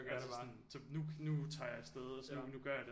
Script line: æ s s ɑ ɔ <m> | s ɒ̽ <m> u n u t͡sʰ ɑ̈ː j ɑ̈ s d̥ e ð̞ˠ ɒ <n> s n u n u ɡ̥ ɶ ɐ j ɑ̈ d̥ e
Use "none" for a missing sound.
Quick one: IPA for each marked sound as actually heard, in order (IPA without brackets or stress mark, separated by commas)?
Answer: n, n, none